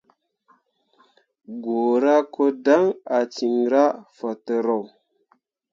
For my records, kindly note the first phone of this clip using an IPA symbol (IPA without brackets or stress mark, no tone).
ɡ